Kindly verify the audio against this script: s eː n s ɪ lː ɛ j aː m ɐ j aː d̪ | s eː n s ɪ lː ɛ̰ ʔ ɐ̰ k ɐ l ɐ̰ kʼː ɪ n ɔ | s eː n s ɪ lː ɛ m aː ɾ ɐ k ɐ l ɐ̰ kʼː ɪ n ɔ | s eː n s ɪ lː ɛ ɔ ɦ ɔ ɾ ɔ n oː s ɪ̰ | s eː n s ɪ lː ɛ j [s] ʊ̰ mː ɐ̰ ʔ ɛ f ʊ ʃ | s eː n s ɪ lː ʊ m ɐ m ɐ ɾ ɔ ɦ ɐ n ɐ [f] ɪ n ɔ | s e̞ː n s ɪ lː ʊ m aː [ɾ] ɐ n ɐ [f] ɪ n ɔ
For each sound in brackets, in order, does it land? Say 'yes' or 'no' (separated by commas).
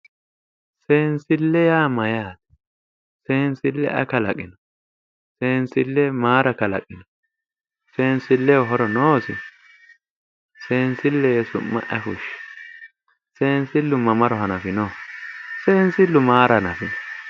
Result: yes, yes, yes, yes